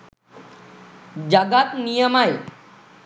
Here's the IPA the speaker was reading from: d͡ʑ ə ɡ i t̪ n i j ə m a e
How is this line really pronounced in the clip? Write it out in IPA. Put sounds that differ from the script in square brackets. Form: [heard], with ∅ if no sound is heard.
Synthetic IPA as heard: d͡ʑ [a] ɡ [a] t̪ n i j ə m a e